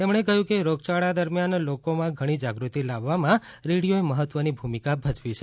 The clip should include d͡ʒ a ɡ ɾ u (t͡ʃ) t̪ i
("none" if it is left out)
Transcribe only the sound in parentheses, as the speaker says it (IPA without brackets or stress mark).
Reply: none